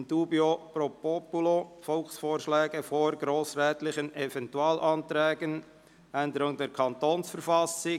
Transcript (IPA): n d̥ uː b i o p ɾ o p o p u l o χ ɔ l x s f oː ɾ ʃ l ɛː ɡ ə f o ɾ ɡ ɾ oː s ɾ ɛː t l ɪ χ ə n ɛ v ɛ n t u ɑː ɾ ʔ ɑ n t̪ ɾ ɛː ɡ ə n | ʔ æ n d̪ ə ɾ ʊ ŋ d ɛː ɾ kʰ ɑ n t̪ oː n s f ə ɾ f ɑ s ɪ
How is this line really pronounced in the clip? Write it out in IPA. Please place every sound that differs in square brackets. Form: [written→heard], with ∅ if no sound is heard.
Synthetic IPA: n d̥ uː b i o p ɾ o p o p u l o [χ→f] ɔ l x s f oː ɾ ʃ l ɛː ɡ ə f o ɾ ɡ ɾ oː s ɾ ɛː t l ɪ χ ə n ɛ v ɛ n t u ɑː [ɾ→l] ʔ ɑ n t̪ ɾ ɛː ɡ ə n | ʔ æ n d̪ ə ɾ ʊ ŋ d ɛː ɾ kʰ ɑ n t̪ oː n s f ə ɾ f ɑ s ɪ